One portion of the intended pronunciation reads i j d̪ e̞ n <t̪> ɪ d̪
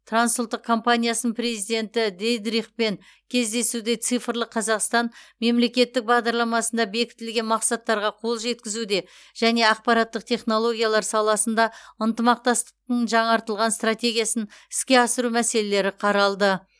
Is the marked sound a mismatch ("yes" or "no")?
no